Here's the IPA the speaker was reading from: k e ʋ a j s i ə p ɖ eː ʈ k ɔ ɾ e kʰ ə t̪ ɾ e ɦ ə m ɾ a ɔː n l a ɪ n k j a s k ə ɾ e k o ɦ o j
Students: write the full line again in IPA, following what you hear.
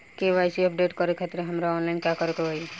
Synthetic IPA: k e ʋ a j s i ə p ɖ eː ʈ k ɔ ɾ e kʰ a t̪ ɾ e ɦ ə m ɾ a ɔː n l a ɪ n k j a k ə ɾ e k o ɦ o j